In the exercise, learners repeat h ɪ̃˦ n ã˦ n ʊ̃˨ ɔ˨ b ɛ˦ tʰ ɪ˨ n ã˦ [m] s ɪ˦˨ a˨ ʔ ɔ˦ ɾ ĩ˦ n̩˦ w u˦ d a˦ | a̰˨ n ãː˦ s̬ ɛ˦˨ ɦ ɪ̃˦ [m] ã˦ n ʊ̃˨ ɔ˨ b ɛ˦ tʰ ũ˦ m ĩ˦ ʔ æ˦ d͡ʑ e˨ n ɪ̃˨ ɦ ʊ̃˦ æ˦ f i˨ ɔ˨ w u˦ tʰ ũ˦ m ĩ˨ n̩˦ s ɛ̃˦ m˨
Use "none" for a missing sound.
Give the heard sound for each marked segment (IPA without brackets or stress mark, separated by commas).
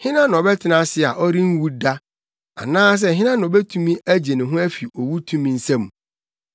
none, n